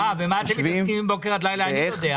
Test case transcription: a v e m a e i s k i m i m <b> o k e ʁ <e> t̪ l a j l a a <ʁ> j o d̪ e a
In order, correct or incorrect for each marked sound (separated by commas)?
correct, incorrect, incorrect